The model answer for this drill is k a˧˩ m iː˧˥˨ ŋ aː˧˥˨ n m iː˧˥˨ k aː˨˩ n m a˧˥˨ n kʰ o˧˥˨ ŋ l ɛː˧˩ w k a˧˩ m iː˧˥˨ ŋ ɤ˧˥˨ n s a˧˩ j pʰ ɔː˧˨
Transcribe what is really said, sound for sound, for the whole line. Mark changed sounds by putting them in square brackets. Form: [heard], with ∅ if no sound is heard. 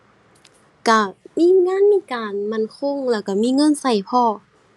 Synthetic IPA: k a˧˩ m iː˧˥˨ ŋ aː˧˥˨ n m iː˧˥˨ k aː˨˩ n m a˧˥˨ n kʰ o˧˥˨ ŋ l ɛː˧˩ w k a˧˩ m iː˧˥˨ ŋ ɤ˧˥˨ n s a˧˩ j pʰ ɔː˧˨